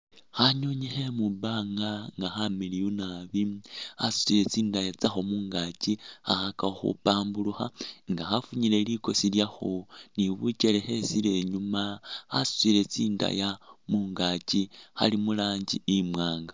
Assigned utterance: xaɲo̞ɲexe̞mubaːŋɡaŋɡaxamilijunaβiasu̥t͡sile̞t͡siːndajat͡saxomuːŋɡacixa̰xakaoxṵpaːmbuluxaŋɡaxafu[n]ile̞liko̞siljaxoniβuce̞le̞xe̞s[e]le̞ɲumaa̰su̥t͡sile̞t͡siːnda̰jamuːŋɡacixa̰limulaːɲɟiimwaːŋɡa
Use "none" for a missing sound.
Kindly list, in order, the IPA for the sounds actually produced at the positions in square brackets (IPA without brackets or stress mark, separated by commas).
ɲ, i